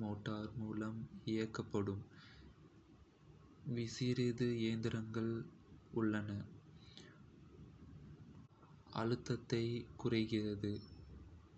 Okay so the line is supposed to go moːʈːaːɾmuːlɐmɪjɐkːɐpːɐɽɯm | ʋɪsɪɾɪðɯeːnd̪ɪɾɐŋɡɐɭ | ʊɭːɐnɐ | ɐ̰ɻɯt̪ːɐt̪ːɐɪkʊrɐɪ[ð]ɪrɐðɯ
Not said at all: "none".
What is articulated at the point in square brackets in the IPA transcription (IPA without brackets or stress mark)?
ɣ